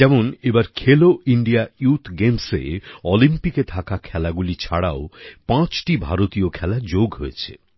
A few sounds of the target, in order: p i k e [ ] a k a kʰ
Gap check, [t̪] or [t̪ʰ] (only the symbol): t̪ʰ